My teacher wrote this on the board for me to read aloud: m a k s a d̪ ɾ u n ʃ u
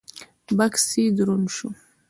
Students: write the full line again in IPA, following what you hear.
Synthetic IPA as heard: b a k s i d̪ ɾ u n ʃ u